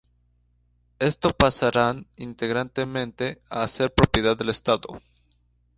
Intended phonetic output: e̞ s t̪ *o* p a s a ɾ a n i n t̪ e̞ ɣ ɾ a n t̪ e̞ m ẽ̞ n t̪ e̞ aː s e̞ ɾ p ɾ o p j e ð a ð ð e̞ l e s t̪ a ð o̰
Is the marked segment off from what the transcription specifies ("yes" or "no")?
no